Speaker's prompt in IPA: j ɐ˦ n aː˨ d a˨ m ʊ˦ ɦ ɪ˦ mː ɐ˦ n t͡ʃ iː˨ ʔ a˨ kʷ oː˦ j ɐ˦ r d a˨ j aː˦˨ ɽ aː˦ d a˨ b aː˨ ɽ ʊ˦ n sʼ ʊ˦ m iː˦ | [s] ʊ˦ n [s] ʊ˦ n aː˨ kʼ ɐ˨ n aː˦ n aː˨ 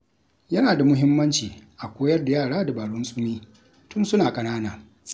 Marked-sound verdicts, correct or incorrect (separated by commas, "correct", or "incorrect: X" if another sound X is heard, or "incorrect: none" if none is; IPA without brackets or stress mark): incorrect: t, correct